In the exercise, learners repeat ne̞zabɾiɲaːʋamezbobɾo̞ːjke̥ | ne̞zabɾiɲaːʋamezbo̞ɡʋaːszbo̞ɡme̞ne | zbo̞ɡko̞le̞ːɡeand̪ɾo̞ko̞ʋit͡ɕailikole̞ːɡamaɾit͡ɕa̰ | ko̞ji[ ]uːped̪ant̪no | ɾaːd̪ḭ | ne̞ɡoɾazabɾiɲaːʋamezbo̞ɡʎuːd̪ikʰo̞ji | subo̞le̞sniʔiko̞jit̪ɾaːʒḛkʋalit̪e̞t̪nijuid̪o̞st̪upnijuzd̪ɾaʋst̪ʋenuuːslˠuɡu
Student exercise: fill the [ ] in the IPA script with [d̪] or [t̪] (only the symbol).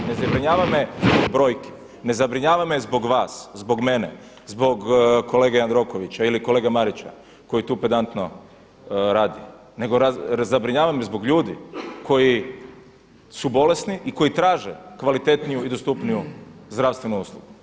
t̪